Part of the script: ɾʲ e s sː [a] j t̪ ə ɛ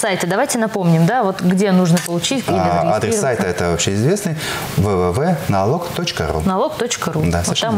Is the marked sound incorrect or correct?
correct